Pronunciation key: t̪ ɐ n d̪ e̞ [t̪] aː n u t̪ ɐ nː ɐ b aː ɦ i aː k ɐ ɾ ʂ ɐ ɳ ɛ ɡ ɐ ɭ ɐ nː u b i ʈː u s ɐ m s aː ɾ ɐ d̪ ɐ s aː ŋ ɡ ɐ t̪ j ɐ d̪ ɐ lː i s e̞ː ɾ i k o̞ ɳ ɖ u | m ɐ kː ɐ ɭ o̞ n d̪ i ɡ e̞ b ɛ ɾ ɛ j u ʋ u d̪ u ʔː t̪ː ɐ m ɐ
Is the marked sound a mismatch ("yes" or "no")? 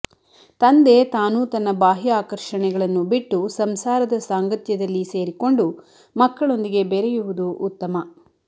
no